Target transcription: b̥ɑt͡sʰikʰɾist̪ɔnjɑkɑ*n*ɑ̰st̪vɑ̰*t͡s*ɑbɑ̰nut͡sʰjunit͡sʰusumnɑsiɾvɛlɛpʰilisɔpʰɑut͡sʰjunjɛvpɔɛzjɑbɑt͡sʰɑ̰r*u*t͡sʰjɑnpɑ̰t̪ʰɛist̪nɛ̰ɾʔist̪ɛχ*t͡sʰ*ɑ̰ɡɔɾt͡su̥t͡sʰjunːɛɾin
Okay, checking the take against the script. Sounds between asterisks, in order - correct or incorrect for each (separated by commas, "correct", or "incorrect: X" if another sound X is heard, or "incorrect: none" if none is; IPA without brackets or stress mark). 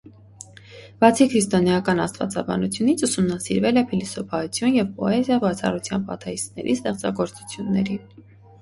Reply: correct, correct, correct, incorrect: t͡s